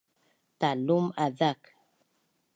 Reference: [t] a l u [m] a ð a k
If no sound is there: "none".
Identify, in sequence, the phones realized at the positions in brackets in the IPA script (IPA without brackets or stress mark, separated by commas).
t, m